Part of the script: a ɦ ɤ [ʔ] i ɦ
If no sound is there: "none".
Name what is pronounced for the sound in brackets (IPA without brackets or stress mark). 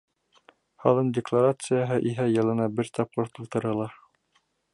ʔ